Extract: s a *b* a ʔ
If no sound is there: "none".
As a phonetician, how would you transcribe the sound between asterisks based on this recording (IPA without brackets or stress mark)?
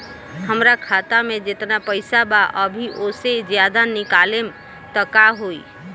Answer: b